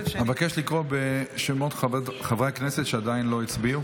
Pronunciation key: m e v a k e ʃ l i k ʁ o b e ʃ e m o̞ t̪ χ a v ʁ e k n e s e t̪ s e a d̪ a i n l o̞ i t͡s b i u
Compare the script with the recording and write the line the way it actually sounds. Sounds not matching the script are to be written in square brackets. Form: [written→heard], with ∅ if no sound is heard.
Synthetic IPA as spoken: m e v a k e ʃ l i k ʁ o b e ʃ e m o̞ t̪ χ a v ʁ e k n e s e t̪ [s→ʃ] e a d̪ a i n l o̞ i t͡s b i u

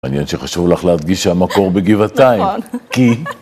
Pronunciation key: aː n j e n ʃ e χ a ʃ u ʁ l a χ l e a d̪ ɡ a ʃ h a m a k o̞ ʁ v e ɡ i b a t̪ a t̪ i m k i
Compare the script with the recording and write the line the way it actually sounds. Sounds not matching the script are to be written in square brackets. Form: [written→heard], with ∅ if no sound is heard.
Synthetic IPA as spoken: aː n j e n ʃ e χ a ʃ u [ʁ→v] l a χ l e a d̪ ɡ [a→i] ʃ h a m a k o̞ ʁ [v→b] e ɡ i [b→v] a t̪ a [t̪→∅] i m k i

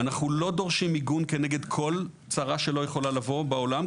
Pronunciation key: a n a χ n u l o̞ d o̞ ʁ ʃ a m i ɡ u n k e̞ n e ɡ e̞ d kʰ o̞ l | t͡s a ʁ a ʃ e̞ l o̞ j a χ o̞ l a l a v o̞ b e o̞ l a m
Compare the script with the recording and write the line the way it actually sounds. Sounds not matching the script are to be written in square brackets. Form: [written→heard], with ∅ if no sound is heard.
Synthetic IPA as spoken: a n a χ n u l o̞ d o̞ ʁ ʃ [a→i] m i ɡ u n k e̞ n e ɡ e̞ d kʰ o̞ l | t͡s a ʁ a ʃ e̞ l o̞ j [a→e] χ o̞ l a l a v o̞ b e o̞ l a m

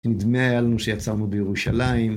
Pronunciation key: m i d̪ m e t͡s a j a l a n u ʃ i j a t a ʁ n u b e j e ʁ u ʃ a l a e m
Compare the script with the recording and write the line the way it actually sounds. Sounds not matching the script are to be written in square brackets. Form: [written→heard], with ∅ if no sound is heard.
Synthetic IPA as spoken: [m→n] i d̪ m e [t͡s→∅] a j a l a n u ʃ [i→e] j a [t→t͡s] a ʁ n u b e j e ʁ u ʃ a l a [e→i] m

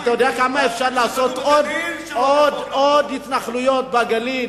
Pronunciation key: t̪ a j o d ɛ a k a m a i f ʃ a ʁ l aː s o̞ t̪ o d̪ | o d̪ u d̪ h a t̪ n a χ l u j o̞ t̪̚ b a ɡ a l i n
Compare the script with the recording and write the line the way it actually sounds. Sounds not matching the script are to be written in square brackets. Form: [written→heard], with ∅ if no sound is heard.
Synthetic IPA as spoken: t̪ a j o d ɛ a k a m a [i→e] f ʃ a ʁ l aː s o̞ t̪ o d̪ | o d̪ [u→o] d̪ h [a→i] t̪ n a χ l u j o̞ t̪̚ b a ɡ a l i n

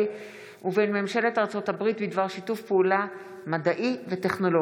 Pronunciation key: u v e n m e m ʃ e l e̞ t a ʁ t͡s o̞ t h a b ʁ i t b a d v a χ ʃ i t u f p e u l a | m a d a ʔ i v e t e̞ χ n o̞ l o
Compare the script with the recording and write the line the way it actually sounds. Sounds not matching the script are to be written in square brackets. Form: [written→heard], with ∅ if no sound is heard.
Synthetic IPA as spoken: u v e n m e m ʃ e l e̞ t a ʁ t͡s o̞ t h a b ʁ i t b [a→i] d v a [χ→ʁ] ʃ i t u f p e u l a | m a d a ʔ i v e t e̞ χ n o̞ l o

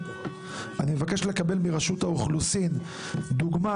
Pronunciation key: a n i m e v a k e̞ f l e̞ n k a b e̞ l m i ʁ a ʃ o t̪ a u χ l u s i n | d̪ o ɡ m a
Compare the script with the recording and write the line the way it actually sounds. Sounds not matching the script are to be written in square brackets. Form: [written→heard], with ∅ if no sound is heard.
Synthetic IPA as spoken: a n i m e v a k e̞ [f→ʃ] l e̞ [n→∅] k a b e̞ l m i ʁ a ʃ [o→u] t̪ a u χ l u s i n | d̪ [o→u] ɡ m a

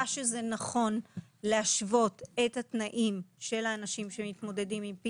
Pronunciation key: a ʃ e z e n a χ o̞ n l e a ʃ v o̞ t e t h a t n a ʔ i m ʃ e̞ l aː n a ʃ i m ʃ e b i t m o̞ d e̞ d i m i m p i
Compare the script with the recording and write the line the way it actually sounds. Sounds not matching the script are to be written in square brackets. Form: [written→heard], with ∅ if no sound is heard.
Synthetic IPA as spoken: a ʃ e z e n a χ o̞ n l e a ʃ v o̞ t e t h a t n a ʔ i m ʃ e̞ l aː n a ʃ i m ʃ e [b→m] i t m o̞ d e̞ d i m i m p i

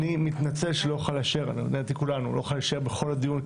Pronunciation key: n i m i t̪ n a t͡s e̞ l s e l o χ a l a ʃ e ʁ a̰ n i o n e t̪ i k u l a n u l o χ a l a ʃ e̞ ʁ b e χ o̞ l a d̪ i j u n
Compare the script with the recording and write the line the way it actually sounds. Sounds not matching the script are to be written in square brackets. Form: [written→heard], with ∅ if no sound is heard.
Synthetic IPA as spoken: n i m i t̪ n a t͡s e̞ l [s→ʃ] e l o χ a l a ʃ e ʁ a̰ n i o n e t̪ i k u l a n u l o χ a l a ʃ e̞ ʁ b e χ o̞ l a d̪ i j u n

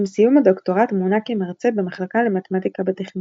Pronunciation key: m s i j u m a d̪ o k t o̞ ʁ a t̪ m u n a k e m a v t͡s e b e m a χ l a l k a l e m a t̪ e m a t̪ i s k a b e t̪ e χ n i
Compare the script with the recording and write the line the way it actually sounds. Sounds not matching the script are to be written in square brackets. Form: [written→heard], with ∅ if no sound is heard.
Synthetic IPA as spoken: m s i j u m a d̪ o k t o̞ ʁ a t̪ m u n a k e m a [v→ʁ] t͡s e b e m a χ l a [l→∅] k a l e m a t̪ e m a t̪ i [s→∅] k a b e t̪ e χ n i

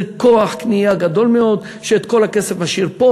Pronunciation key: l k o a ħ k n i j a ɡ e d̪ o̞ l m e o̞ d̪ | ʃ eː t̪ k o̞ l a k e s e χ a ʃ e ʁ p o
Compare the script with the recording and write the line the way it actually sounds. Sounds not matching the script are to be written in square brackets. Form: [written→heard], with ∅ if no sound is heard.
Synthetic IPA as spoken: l k o a ħ k n i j a ɡ [e→a] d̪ o̞ l m e o̞ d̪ | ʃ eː t̪ k o̞ l a k e s e [χ→f] a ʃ [e→i] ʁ p o

